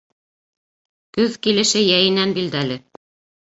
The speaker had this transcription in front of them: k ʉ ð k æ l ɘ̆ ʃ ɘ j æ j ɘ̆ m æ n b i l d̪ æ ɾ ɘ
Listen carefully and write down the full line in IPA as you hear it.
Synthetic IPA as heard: k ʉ ð k i l ɘ̆ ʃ ɘ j æ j ɘ̆ n æ n b i l d̪ æ l ɘ